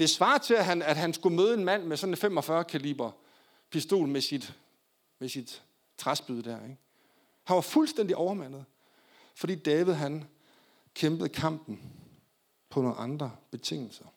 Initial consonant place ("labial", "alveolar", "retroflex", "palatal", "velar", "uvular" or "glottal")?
alveolar